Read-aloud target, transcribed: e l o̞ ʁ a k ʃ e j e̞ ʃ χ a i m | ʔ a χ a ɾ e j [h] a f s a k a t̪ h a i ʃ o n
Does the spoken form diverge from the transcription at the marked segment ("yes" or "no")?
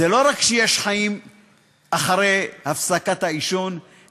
no